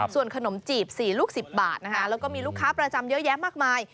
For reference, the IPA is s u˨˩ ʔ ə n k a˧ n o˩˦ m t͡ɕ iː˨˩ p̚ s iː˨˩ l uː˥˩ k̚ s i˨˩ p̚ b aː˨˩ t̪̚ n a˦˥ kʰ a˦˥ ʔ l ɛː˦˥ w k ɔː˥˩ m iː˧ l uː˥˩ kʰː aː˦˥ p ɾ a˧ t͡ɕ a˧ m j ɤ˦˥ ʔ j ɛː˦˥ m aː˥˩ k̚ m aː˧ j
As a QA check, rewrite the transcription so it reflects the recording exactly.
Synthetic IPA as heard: s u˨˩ ə n kʰ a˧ n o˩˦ m t͡ɕ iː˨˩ p̚ s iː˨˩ l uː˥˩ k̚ s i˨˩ p̚ b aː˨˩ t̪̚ n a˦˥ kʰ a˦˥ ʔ l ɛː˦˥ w k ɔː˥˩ m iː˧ l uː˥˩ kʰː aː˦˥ p ɾ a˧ t͡ɕ a˧ m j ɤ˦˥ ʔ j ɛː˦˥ m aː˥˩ k̚ m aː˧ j

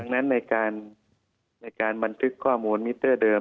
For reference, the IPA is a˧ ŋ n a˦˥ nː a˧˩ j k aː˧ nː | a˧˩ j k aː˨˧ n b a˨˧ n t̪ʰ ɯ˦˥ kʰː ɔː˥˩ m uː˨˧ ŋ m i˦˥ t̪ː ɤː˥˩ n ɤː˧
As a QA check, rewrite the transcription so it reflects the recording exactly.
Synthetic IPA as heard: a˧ ŋ n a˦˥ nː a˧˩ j k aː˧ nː | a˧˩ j k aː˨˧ n b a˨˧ n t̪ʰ ɯ˦˥ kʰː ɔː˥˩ m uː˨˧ n m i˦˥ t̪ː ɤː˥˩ d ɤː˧

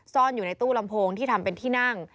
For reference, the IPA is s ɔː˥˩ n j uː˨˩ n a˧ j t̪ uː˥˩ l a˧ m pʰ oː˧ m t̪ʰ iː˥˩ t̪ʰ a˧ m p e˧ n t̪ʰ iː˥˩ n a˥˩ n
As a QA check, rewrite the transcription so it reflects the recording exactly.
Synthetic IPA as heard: s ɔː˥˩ n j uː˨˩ n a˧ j t̪ uː˥˩ l a˧ m pʰ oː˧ ŋ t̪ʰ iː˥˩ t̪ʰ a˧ m p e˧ n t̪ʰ iː˥˩ n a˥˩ ŋ

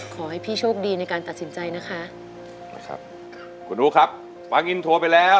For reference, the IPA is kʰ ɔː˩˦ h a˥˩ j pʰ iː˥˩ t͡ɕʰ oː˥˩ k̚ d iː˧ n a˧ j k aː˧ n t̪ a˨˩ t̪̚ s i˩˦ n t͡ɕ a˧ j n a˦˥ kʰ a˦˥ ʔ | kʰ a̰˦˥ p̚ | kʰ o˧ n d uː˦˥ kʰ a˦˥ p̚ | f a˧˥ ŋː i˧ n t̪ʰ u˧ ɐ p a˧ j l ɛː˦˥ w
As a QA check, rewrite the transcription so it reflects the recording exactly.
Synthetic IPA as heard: kʰ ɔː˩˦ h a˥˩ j pʰ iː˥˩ t͡ɕʰ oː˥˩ k̚ d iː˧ n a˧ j k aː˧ n t̪ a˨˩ t̪̚ s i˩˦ n t͡ɕ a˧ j n a˦˥ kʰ a˦˥ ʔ | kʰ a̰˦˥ p̚ | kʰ u˧ n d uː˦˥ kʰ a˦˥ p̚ | f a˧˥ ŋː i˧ n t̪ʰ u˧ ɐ p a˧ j l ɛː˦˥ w

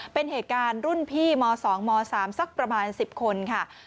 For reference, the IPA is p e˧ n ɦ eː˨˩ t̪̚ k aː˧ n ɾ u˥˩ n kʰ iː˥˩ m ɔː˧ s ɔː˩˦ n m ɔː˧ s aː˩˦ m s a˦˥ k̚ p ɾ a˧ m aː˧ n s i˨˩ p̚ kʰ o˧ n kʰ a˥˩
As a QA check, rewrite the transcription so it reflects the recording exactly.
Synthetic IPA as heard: p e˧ n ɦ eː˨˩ t̪̚ k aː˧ n ɾ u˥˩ n pʰ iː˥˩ m ɔː˧ s ɔː˩˦ ŋ m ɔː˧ s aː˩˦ m s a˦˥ k̚ p ɾ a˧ m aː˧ n s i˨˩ p̚ kʰ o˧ n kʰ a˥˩

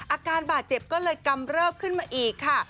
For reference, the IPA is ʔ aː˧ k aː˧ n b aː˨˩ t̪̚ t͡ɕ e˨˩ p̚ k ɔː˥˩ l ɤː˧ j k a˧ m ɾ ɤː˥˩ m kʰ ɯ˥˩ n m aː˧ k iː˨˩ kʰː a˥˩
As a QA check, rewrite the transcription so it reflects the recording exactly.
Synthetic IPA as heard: ʔ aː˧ k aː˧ n b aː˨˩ t̪̚ t͡ɕ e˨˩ p̚ k ɔː˥˩ l ɤː˧ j k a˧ m ɾ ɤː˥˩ m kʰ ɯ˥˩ n m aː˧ ʔ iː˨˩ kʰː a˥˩

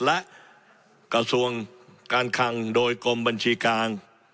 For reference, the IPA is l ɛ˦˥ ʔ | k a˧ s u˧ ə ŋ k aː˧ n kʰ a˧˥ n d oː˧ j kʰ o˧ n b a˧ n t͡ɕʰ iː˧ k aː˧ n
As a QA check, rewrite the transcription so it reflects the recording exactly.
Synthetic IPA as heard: l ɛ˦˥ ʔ | k a˧ s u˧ ə ŋ k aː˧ n kʰ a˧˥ ŋ d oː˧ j k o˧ m b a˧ n t͡ɕʰ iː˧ k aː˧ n

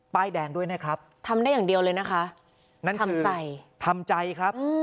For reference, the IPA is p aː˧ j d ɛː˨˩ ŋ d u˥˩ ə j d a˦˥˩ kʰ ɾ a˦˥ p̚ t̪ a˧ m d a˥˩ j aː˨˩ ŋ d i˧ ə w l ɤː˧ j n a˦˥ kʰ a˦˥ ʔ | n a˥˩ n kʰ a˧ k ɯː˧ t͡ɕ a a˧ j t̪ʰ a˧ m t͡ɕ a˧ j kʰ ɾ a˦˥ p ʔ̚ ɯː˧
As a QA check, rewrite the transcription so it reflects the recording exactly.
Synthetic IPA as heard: p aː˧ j d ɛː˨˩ ŋ d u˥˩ ə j n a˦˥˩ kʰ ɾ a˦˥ p̚ t̪ʰ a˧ m d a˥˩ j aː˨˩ ŋ d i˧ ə w l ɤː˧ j n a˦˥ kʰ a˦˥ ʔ | n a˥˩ n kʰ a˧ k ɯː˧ t͡ɕ a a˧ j t̪ʰ a˧ m t͡ɕ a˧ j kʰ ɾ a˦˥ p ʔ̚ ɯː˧

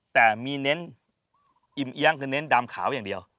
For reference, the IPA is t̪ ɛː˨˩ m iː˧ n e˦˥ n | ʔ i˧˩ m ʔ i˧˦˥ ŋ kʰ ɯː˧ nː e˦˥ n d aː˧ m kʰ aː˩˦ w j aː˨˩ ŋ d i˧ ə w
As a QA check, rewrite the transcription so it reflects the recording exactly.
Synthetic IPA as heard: t̪ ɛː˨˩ m iː˧ n e˦˥ n | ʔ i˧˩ m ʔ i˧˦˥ ŋ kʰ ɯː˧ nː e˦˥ n d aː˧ m kʰ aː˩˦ w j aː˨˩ ŋ d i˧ ə w

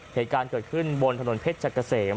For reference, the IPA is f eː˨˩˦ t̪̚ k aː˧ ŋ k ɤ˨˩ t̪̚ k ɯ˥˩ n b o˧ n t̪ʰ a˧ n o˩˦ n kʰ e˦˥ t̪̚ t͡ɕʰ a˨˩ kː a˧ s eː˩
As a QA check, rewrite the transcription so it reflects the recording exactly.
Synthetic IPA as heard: h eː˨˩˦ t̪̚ k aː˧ n k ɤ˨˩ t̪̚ kʰ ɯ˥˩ n b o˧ n t̪ʰ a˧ n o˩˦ n pʰ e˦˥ t̪̚ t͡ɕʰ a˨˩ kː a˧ s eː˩

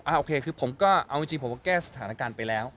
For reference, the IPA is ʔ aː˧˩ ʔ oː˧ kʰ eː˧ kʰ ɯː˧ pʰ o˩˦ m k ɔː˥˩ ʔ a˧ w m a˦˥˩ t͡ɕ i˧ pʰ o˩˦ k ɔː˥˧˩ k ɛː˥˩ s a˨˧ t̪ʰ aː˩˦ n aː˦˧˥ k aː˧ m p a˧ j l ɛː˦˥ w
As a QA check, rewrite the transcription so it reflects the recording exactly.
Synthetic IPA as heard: ʔ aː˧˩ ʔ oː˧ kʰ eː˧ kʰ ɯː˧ pʰ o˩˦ m k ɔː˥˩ ʔ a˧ w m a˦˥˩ t͡ɕ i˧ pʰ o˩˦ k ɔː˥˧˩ k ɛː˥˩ s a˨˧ t̪ʰ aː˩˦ n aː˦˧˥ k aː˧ n p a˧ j l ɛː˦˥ w

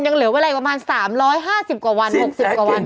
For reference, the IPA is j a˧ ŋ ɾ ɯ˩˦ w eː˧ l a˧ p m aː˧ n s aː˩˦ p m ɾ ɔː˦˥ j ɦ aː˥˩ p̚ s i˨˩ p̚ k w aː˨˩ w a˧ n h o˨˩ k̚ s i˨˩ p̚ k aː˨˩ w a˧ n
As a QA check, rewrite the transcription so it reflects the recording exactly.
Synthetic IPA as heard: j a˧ ŋ l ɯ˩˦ w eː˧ l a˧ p m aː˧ n s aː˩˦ m ɾ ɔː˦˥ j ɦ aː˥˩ s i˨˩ p̚ k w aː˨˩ w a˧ n h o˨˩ k̚ s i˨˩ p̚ k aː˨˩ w a˧ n

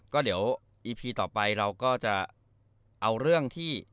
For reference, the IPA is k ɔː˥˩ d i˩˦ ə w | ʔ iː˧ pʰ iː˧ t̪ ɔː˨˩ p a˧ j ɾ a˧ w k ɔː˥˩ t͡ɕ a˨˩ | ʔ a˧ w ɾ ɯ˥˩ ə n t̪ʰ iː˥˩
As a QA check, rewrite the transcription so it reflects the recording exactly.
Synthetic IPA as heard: k ɔː˥˩ d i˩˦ ə w | ʔ iː˧ pʰ iː˧ t̪ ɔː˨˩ p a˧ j ɾ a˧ w k ɔː˥˩ t͡ɕ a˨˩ | ʔ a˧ w ɾ ɯ˥˩ ə ŋ t̪ʰ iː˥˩

